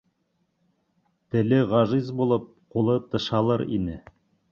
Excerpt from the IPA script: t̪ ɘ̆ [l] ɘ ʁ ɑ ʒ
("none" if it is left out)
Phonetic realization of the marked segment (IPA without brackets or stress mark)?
l